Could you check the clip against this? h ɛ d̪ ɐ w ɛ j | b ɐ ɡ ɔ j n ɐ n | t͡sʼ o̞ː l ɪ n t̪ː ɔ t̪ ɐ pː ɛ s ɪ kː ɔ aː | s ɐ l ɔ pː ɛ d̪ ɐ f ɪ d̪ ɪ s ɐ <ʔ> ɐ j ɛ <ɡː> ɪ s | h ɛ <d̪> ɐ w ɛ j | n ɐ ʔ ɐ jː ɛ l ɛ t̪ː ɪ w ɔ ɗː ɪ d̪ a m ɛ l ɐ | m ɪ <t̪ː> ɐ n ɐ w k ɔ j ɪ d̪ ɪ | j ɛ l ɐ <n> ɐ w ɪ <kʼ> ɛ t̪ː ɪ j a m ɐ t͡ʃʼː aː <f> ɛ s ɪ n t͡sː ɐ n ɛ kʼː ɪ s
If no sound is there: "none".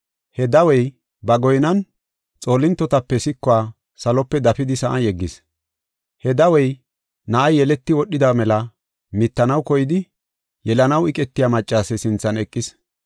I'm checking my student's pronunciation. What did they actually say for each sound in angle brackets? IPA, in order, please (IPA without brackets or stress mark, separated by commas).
ʔ, ɡː, d̪, t̪ː, n, kʼ, s